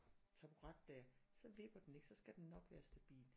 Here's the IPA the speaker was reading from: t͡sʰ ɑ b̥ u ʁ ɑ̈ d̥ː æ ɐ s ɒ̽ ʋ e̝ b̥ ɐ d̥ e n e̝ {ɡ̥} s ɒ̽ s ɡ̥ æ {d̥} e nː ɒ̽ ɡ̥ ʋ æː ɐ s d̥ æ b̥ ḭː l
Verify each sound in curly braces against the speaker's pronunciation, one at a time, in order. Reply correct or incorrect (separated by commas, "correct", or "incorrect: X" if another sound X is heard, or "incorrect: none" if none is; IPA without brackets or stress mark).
correct, correct